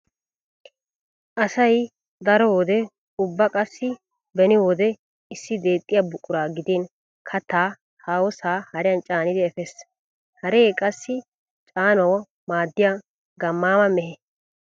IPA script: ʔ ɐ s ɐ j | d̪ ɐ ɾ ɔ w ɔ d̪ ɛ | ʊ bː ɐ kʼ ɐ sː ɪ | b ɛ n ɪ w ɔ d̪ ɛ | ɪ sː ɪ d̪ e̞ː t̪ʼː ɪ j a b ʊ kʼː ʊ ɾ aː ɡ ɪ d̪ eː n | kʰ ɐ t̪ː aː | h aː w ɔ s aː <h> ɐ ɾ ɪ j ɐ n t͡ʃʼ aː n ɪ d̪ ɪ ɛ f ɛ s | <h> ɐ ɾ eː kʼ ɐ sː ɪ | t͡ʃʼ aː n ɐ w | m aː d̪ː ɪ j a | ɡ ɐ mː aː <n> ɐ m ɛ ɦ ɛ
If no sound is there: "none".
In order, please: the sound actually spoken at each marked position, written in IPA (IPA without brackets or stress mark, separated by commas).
h, h, m